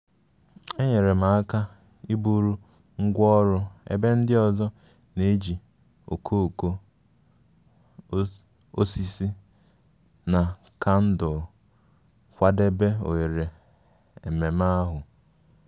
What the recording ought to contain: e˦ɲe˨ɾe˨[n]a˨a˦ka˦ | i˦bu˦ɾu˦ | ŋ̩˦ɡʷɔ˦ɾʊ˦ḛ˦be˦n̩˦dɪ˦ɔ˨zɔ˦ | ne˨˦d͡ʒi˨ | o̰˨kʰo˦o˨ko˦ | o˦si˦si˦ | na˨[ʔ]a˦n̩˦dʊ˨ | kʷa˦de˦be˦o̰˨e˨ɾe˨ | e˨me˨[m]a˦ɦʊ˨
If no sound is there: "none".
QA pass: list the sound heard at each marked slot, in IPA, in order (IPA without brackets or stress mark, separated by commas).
m, k, m